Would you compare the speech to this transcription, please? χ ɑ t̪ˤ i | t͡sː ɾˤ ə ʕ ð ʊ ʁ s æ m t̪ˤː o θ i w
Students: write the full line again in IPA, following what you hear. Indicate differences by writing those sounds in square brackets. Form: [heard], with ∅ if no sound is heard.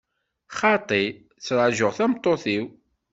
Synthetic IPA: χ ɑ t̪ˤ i | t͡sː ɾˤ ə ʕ [ʒ] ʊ ʁ [θ] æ m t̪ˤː o θ i w

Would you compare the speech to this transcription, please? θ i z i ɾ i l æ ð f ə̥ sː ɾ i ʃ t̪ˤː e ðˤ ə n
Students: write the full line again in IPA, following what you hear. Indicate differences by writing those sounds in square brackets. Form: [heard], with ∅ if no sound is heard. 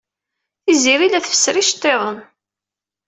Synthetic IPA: θ i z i ɾ i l æ [θ] f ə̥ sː ɾ i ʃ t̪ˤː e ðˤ ə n

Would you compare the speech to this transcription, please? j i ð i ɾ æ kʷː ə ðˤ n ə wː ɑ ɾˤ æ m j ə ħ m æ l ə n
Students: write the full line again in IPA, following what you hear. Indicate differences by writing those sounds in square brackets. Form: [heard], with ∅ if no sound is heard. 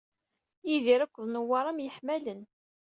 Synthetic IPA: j i ð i ɾ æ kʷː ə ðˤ n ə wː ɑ ɾˤ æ m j ə ħ m æ l ə n

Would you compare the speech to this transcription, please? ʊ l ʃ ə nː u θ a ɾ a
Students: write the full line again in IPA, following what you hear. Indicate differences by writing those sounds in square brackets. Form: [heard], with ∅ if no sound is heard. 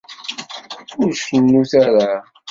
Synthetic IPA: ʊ [ɾ] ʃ ə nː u θ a ɾ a

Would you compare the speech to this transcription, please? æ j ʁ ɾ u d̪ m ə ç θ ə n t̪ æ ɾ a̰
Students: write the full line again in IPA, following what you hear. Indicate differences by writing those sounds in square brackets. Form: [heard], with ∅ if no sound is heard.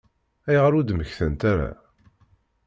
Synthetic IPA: æ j ʁ ɾ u d̪ m ə ç θ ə n t̪ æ ɾ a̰

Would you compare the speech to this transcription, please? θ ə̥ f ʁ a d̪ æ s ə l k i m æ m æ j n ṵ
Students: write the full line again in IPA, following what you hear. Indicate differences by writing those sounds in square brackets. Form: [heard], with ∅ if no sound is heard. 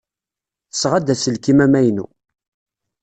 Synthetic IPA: θ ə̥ [s] ʁ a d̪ æ s ə l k i m æ m æ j n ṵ

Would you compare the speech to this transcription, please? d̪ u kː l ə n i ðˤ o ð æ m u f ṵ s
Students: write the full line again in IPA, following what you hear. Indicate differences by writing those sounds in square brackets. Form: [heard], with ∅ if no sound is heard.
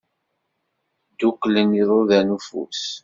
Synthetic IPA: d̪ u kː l ə n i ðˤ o ð æ [n] u f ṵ s

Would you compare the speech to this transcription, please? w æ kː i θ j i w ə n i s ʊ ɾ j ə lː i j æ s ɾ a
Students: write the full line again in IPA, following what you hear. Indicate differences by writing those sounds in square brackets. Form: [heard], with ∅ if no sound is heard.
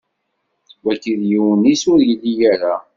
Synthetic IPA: w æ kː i [ð] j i w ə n i s ʊ ɾ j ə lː i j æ [∅] ɾ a

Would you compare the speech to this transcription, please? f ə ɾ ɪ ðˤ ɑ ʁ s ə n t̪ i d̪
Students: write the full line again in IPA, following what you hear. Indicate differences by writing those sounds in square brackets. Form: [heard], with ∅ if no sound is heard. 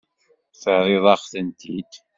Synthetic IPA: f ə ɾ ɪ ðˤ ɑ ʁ [θ] ə n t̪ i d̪

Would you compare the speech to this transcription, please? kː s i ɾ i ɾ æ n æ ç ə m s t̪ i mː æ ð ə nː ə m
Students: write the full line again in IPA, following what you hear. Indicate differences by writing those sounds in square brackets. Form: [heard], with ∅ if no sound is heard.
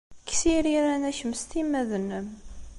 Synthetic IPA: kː s i ɾ i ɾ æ n æ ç ə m s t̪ i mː æ ð ə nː ə m

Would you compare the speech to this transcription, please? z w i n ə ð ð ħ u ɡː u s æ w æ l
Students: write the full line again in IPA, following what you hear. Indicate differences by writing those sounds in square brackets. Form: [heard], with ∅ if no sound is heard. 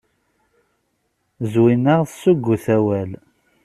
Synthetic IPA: z w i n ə [ʁ] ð [s] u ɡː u [θ] æ w æ l

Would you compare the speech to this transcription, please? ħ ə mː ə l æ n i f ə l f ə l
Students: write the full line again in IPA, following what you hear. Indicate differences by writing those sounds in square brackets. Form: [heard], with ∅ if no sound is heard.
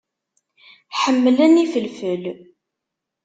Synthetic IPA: ħ ə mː ə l æ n i f ə l f ə l

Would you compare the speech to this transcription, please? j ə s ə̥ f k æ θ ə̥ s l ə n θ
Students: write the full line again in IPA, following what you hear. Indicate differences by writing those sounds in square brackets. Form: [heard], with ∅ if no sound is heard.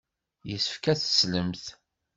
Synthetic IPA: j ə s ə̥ f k æ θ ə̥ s l ə [m] θ

